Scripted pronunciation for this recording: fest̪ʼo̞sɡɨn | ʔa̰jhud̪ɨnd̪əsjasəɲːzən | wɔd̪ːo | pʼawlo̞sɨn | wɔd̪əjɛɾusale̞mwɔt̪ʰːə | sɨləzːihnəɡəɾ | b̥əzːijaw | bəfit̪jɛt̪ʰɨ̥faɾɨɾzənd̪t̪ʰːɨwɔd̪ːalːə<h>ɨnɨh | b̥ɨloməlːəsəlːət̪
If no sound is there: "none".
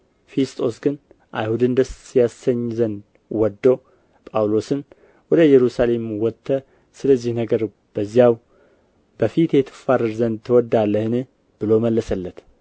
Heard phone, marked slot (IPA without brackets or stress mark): h